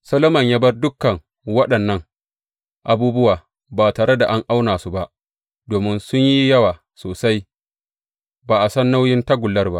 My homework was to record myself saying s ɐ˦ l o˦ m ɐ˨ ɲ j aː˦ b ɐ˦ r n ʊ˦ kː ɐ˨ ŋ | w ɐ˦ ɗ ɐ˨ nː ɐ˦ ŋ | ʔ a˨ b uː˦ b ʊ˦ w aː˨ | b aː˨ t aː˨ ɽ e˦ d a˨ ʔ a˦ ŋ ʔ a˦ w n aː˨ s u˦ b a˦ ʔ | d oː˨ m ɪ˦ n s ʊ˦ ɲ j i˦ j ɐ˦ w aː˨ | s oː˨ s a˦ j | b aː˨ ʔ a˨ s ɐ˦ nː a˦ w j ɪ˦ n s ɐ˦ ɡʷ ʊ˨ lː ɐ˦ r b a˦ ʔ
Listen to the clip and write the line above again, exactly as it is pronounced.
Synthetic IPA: s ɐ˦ l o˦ m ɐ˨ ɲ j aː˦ b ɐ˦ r d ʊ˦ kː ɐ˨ ŋ | w ɐ˦ ɗ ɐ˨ nː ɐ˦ ŋ | ʔ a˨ b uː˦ b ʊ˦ w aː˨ | b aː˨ t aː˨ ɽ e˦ d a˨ ʔ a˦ ŋ ʔ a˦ w n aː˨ s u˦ b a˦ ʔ | d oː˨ m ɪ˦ n s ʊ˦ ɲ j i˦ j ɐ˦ w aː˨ | s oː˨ s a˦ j | b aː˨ ʔ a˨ s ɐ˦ nː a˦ w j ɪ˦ n t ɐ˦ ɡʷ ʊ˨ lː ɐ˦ r b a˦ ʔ